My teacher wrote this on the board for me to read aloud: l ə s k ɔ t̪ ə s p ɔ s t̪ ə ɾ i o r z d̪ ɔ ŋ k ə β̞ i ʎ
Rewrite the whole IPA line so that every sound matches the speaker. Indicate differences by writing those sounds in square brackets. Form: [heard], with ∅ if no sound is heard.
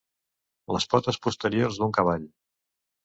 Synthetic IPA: l ə s [p] ɔ t̪ ə s p [u] s t̪ ə ɾ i o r z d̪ [u] ŋ k ə β̞ [a] ʎ